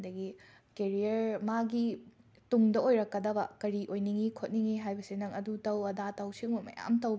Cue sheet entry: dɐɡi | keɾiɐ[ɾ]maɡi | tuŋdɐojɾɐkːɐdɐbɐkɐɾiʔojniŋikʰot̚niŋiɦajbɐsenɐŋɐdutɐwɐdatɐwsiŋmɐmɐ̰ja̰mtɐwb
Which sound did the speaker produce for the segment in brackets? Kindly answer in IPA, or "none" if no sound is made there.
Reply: ɾ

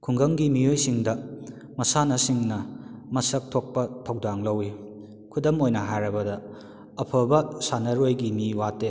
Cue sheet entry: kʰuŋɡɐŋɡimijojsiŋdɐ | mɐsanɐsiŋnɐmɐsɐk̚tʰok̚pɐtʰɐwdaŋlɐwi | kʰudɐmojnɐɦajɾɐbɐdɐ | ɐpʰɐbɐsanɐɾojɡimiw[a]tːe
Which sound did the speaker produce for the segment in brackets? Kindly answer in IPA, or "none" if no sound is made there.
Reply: a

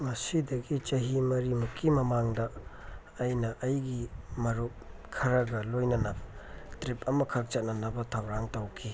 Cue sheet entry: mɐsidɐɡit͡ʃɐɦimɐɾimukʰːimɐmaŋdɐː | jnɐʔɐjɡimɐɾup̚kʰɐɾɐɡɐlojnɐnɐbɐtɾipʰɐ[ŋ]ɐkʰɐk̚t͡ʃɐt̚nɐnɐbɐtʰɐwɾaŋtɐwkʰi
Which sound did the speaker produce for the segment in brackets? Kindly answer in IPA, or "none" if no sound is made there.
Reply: m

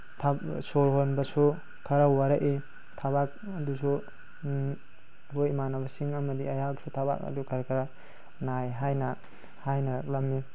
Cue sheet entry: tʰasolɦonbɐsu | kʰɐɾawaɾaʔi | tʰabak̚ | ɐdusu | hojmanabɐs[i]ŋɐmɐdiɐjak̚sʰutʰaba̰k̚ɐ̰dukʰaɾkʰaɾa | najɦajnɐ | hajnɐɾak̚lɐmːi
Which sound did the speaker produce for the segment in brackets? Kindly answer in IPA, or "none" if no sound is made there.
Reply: i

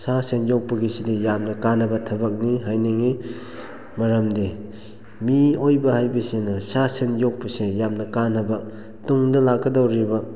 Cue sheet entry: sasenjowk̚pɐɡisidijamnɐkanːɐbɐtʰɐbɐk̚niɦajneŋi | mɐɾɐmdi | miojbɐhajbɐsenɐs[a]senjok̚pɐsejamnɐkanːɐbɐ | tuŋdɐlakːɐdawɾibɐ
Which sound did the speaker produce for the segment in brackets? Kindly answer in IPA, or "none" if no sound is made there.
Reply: a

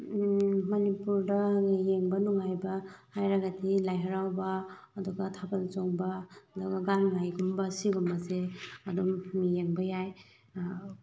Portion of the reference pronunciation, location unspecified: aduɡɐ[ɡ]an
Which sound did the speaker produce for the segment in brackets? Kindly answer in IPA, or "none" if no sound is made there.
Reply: ɡ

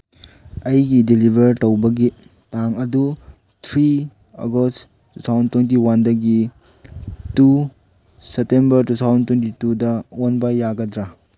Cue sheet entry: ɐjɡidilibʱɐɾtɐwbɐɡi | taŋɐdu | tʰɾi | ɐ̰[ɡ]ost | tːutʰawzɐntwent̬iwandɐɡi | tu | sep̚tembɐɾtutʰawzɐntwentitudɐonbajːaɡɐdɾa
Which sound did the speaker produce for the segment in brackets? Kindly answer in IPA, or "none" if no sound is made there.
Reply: ɡ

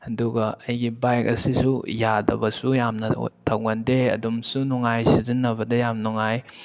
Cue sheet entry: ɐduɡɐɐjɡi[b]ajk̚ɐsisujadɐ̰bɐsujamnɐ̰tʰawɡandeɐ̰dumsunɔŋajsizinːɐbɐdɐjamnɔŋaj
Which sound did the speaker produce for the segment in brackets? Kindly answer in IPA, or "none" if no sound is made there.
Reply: b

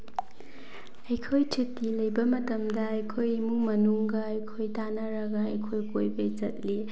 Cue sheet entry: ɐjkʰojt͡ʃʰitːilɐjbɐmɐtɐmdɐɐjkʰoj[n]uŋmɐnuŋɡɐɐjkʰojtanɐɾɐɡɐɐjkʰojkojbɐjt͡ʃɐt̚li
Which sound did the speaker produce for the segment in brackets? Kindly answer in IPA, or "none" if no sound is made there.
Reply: m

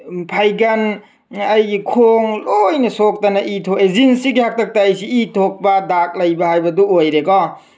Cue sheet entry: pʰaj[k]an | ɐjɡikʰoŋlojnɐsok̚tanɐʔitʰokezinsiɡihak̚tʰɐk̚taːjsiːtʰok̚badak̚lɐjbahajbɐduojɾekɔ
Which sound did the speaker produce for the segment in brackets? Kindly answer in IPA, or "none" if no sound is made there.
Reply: ɡ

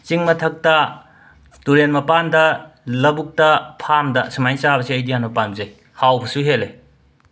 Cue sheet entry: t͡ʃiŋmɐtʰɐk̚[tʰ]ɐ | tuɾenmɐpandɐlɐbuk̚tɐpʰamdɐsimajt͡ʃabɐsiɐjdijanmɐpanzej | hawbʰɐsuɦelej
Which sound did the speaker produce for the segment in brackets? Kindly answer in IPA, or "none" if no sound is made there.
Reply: t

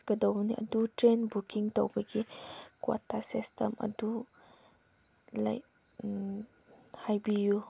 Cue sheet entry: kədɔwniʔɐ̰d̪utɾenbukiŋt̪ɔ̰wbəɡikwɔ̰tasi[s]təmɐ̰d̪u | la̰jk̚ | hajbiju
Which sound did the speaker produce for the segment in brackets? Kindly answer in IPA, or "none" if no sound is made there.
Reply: s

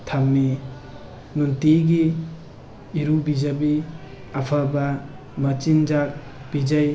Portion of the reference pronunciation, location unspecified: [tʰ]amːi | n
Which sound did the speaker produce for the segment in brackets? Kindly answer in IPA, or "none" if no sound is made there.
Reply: tʰ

